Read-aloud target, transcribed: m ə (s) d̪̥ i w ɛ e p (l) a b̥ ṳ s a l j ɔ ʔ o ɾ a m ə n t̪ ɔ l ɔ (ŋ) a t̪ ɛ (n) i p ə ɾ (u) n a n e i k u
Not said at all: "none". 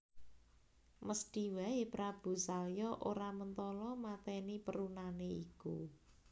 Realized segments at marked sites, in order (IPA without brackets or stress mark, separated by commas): s, ɾ, m, n, u